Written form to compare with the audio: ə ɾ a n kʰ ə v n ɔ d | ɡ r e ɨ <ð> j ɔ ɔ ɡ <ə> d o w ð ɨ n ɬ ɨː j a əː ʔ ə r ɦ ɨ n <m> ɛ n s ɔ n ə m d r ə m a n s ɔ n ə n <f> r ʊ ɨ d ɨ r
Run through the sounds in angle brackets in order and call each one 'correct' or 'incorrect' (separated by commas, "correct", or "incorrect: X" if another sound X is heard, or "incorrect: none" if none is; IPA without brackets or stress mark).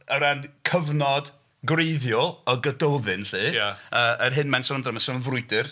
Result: correct, correct, correct, incorrect: v